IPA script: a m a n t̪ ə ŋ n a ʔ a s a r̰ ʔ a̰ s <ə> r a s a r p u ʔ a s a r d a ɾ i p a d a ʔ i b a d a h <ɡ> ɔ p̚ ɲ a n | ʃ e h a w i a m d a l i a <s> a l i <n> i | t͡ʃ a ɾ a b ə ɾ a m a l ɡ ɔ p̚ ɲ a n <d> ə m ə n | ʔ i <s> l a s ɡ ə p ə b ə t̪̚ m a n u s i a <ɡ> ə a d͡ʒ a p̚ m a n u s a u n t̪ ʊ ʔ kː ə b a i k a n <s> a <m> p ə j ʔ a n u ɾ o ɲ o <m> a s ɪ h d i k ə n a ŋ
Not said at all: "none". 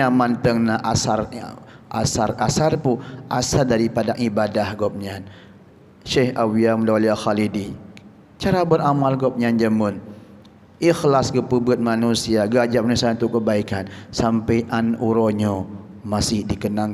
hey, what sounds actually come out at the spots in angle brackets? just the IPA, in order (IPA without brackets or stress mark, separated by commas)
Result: a, ɡ, x, d, d͡ʒ, x, ɡ, s, m, m